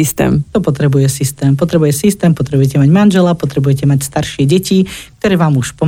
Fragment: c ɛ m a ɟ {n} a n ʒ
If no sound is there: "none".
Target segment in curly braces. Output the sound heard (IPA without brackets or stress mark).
m